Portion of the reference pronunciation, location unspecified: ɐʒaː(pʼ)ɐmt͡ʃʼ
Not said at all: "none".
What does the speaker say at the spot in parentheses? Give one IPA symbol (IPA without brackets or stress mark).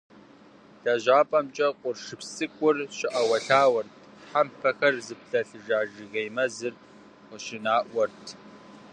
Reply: pʼ